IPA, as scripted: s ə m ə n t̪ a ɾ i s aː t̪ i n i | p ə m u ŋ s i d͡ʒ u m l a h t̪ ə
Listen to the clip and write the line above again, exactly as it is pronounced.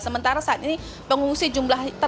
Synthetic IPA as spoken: s ə m ə n t̪ a ɾ a s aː t̪ i n i | p ə ŋ u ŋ s i d͡ʒ u m l a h t̪ ə